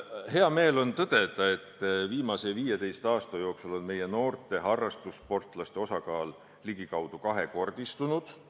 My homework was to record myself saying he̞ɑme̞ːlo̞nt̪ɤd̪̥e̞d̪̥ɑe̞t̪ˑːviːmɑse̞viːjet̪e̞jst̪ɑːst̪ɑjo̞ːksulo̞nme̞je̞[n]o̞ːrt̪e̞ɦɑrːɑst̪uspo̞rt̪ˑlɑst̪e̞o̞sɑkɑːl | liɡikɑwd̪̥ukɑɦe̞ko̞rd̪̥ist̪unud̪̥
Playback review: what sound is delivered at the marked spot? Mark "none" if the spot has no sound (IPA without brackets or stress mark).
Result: n